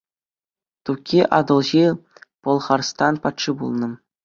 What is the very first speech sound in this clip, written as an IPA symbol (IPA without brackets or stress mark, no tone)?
t̪